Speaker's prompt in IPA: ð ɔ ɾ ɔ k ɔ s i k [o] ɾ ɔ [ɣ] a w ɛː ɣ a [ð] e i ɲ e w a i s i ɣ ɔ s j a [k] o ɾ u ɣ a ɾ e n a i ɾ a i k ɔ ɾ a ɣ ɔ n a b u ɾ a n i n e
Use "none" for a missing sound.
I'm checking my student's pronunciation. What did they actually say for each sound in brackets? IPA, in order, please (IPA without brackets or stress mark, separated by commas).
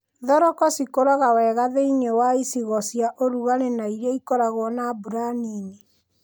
o, ɣ, ð, ʔ